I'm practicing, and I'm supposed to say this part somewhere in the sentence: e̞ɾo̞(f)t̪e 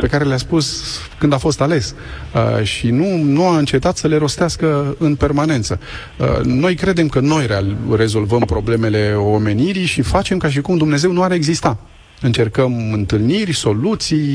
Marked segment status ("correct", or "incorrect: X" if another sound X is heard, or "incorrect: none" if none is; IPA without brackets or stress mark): incorrect: s